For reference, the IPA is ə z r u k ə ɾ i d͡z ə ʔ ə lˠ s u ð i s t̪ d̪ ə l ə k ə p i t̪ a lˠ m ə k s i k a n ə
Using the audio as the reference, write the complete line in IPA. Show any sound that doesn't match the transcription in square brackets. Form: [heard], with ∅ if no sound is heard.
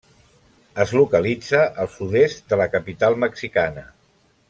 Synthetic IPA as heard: ə z [l] u k ə [l] i d͡z ə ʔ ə lˠ s u ð [e] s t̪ d̪ ə l ə k ə p i t̪ a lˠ m ə k s i k a n ə